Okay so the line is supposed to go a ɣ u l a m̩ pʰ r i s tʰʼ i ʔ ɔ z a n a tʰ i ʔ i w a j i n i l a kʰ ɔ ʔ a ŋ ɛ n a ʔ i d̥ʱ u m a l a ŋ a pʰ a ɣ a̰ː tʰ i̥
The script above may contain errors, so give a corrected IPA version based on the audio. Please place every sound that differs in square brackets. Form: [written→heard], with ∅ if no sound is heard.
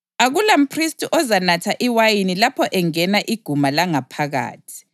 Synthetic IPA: a ɣ u l a m̩ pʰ r i s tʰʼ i ʔ ɔ z a n a tʰ [i→a] ʔ i w a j i n i l a [kʰ→pʰ] ɔ ʔ [a→ɛ] ŋ ɛ n a ʔ i [d̥ʱ→ɡ̥ʱ] u m a l a ŋ a pʰ a ɣ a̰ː tʰ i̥